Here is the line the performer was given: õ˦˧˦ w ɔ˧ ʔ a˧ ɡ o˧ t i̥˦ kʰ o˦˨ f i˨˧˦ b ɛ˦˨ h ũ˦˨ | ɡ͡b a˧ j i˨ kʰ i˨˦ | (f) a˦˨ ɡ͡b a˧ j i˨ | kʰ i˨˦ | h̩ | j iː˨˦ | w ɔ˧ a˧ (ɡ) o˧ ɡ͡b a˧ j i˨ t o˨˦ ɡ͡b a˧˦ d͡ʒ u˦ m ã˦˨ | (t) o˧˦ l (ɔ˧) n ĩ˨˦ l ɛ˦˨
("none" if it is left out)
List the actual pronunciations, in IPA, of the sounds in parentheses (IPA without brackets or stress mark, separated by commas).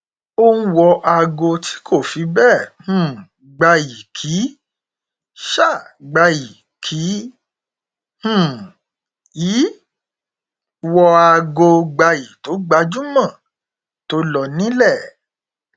ʃ, ɡ, t, ɔ˧